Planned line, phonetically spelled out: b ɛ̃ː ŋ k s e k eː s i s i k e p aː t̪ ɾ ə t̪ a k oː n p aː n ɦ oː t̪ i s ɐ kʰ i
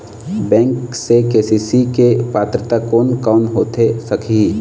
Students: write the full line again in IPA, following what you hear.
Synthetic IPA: b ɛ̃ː ŋ k s e k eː s i s i k e p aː t̪ ɾ ə t̪ a k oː n k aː n ɦ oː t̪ e s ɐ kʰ i

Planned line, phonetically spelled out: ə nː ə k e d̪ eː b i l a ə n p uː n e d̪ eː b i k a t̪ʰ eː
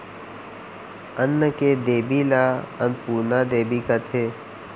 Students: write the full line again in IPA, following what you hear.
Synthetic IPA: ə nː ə k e d̪ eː b i l a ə n p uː n a d̪ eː b i k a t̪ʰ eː

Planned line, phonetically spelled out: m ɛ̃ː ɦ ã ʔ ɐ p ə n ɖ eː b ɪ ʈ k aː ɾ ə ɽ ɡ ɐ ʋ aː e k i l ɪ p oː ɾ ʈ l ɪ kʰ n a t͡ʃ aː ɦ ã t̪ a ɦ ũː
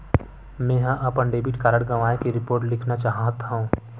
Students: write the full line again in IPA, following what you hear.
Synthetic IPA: m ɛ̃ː ɦ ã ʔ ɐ p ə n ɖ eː b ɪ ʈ k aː ɾ ə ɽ ɡ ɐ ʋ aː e k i ɾ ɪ p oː ɾ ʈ l ɪ kʰ n a t͡ʃ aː ɦ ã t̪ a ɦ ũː

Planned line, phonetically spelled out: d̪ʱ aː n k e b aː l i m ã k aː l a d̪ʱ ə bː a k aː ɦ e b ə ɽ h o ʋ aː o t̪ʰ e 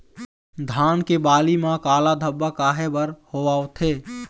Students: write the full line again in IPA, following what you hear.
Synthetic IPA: d̪ʱ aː n k e b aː l i m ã k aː l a d̪ʱ ə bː a k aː ɦ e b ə ɾ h o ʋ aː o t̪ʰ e

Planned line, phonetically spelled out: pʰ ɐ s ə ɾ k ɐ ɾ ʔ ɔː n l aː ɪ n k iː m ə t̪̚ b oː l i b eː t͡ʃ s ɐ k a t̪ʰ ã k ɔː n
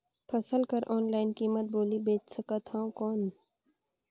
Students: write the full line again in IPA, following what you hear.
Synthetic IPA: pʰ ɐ s ə l k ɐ ɾ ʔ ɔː n l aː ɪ n k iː m ə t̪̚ b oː l i b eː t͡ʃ s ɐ k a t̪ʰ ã k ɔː n

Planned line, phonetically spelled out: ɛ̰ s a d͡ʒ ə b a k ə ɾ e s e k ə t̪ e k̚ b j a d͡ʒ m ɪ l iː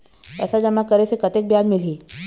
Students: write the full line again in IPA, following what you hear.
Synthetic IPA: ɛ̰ s a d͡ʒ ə m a k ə ɾ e s e k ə t̪ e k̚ b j a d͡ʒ m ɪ l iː

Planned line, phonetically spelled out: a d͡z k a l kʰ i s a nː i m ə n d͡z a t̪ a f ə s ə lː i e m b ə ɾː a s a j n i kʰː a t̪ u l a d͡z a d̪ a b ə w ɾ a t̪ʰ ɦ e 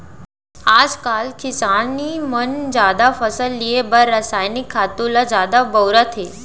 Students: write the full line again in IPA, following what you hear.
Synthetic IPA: a d͡z k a l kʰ i s a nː i m ə n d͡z a d̪ a f ə s ə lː i e b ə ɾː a s a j n i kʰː a t̪ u l a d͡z a d̪ a b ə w ɾ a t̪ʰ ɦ e

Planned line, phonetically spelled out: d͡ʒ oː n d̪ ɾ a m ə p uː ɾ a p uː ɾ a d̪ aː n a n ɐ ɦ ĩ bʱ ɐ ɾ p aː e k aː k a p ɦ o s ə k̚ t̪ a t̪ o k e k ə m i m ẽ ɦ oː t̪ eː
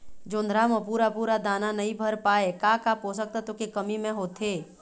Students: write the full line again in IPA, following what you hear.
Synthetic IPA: d͡ʒ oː n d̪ ɾ a m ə p uː ɾ a p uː ɾ a d̪ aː n a n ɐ ɦ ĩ bʱ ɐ ɾ p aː e k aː k a p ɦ o s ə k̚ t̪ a t̪ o k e k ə m i m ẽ ɦ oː t̪ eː

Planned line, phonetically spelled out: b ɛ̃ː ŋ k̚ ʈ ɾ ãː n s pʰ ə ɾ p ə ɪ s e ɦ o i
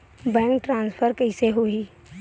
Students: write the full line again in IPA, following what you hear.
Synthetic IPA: b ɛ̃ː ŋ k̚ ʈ ɾ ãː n s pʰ ə ɾ k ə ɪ s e ɦ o i

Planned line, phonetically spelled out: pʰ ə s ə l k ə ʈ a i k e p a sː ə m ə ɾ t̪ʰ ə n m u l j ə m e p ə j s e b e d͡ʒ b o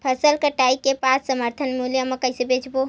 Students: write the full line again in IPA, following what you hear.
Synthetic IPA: pʰ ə s ə l k ə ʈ a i k e p a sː ə m ə ɾ t̪ʰ ə n m u l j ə m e k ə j s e b e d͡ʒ b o

